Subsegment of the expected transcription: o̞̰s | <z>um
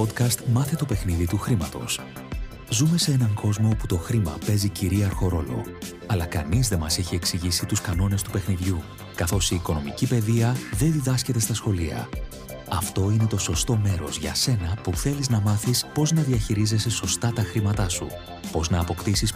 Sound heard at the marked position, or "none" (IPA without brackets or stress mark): z